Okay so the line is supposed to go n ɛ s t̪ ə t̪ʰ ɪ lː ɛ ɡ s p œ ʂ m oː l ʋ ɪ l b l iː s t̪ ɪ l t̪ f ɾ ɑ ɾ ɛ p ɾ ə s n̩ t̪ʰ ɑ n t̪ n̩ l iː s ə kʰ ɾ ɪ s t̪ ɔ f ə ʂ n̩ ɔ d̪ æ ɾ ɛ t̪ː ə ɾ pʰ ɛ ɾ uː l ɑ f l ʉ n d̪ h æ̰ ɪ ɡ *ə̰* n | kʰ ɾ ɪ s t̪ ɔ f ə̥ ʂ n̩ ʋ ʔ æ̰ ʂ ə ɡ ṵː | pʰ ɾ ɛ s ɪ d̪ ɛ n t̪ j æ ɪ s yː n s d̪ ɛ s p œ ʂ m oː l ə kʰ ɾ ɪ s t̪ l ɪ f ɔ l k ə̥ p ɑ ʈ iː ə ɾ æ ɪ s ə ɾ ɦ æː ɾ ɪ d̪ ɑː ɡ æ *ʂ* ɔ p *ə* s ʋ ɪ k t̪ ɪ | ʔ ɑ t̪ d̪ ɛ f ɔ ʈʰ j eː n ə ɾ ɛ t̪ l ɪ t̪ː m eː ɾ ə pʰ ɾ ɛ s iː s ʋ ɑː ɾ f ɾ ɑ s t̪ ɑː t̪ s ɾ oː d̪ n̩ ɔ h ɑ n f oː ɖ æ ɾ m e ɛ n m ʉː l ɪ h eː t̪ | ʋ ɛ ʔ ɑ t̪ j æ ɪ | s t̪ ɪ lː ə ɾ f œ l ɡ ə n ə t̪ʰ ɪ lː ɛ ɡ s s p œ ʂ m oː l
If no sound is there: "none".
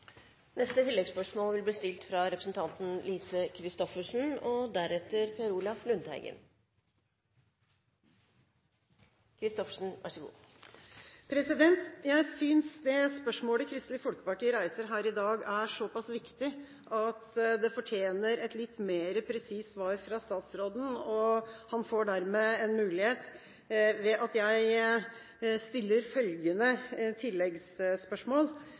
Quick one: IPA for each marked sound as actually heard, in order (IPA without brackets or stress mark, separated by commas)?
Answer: ə̰, ʂ, ɑ